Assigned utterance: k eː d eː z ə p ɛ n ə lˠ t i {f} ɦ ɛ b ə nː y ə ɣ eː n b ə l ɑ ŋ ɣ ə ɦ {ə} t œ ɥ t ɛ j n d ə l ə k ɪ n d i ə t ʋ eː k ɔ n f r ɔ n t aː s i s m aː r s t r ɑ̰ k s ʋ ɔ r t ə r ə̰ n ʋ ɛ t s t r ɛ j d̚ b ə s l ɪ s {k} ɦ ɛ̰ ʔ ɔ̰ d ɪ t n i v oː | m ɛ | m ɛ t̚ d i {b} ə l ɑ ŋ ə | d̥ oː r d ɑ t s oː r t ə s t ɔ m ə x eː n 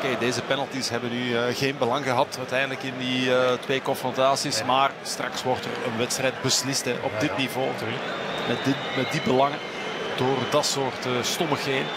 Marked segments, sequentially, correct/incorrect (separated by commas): incorrect, incorrect, incorrect, correct